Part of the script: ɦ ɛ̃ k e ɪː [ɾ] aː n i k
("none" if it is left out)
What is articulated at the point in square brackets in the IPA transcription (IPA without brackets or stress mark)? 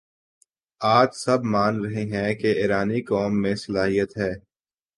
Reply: ɾ